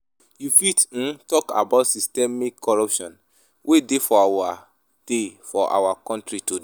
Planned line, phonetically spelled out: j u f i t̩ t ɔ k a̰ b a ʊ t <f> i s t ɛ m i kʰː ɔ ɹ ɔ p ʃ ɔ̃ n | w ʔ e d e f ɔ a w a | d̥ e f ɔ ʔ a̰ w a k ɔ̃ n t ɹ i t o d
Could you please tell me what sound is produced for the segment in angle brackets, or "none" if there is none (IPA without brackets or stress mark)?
s